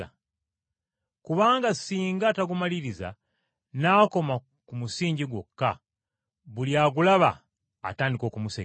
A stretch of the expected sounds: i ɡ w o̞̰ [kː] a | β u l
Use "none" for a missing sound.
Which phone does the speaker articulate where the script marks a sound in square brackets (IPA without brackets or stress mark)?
kː